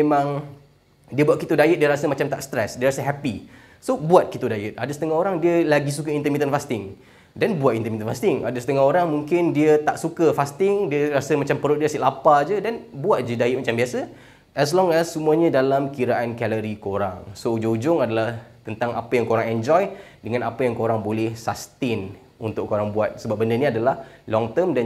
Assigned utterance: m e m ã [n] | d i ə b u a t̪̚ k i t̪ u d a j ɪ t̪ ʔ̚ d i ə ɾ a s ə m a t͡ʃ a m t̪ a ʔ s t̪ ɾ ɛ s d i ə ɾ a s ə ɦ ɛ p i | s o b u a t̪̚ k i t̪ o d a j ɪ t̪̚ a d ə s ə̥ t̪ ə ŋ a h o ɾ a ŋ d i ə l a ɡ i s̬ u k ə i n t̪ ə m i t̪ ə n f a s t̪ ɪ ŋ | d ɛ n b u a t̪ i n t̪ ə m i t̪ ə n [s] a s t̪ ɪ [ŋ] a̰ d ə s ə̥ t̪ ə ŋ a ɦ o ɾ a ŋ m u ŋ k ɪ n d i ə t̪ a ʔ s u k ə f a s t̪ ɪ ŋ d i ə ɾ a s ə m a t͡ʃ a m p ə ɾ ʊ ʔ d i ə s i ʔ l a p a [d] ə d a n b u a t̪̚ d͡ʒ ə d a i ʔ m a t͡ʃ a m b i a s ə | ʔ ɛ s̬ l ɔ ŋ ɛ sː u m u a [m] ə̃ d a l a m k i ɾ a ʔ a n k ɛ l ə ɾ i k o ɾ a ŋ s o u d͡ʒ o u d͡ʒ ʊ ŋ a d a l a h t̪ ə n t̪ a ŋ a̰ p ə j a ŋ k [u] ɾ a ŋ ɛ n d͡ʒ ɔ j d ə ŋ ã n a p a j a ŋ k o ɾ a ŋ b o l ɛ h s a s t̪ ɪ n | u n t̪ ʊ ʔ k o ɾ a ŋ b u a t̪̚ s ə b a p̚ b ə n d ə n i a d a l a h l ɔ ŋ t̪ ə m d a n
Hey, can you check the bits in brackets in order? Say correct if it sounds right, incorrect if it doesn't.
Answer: incorrect, incorrect, correct, incorrect, incorrect, incorrect

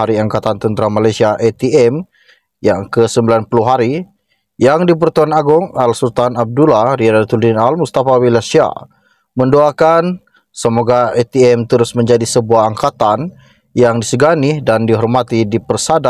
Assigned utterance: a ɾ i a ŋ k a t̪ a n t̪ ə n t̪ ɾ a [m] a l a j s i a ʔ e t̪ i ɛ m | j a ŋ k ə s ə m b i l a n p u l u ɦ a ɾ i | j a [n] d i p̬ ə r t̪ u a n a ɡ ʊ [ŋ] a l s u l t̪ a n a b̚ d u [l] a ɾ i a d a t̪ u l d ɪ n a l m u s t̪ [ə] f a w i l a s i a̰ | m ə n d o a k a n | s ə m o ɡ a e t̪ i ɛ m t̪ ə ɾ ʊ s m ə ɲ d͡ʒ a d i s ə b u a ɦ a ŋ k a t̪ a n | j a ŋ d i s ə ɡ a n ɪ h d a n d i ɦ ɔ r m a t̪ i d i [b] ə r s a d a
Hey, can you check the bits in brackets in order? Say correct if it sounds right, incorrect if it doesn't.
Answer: correct, incorrect, correct, correct, incorrect, incorrect

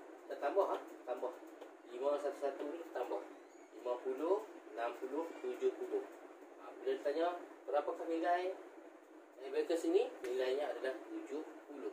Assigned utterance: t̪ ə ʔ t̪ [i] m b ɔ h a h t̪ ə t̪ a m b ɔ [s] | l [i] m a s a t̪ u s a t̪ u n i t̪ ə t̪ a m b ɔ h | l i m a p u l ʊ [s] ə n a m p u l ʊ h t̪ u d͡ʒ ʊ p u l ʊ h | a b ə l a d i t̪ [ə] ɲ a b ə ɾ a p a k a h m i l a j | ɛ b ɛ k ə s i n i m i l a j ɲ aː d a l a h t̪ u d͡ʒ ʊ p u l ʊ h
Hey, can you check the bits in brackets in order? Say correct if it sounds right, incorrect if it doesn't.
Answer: incorrect, incorrect, correct, incorrect, incorrect

